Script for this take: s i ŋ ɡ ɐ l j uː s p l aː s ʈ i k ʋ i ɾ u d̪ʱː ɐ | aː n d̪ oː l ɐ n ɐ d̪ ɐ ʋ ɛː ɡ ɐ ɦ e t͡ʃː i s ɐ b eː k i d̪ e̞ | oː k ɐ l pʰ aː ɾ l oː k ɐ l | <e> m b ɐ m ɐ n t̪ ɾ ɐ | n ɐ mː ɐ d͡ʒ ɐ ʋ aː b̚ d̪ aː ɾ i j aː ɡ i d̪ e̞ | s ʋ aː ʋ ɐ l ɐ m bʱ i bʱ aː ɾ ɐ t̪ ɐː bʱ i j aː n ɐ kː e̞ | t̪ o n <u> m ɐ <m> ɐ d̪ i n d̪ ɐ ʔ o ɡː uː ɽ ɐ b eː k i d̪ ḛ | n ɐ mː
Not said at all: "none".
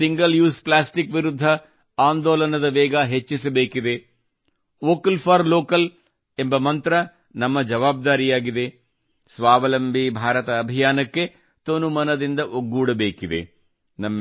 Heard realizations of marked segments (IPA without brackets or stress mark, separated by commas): e, u, n